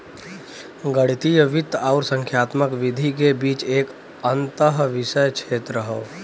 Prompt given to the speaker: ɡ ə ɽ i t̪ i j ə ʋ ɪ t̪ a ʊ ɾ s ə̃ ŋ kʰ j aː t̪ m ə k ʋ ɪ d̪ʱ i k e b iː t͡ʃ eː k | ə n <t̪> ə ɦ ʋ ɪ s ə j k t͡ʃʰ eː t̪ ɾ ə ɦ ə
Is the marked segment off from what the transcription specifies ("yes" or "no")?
no